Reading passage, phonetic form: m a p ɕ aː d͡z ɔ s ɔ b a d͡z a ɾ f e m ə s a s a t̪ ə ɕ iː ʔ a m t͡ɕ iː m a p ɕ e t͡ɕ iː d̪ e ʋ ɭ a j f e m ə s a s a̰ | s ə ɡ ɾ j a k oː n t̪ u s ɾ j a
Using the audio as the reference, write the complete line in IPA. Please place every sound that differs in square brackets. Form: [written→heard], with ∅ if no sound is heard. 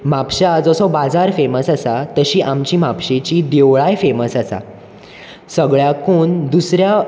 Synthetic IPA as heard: m a p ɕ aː d͡z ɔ s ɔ b a d͡z a ɾ f e m ə s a s a t̪ ə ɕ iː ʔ a m t͡ɕ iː m a p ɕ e t͡ɕ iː d̪ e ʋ ɭ a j f e m ə s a s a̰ | s ə ɡ [ɾ→ɭ] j a k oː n [t̪→d̪] u s ɾ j a